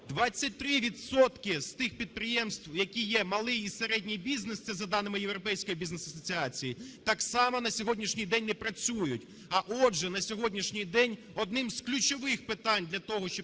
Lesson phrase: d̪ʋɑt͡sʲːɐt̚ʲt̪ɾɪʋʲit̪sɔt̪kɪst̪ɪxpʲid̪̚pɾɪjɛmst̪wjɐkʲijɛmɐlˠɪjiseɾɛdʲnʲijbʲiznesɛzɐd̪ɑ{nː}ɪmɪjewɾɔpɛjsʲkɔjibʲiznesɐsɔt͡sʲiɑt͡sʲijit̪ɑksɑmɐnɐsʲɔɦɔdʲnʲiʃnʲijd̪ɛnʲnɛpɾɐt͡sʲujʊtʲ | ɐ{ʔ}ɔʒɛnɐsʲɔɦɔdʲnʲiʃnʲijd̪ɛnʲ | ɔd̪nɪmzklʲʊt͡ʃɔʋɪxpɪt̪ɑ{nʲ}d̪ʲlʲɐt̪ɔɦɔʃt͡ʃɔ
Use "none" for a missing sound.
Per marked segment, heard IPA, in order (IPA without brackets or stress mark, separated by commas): n, ʔ, nʲ